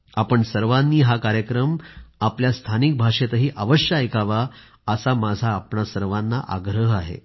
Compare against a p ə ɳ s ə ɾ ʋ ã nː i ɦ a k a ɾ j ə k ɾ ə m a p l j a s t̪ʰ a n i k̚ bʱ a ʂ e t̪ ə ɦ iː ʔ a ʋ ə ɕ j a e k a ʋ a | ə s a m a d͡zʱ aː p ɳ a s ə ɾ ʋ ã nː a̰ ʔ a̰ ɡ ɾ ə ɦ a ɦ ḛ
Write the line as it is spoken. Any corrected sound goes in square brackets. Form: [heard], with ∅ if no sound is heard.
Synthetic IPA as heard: a p ə ɳ s ə ɾ ʋ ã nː [iː] ɦ a k a ɾ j ə k ɾ ə m a p l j a s t̪ʰ a n i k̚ bʱ a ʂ e t̪ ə ɦ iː ʔ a ʋ ə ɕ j a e k a ʋ a | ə s a m a d͡zʱ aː p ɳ a s ə ɾ ʋ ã nː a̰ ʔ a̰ ɡ ɾ ə ɦ a ɦ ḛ